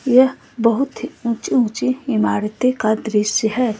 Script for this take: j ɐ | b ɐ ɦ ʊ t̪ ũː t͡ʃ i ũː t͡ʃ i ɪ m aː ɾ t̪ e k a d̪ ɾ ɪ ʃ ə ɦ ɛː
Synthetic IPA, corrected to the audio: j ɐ | b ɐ ɦ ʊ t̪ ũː t͡ʃ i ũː t͡ʃ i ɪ m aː ɾ t̪ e k a d̪ ɾ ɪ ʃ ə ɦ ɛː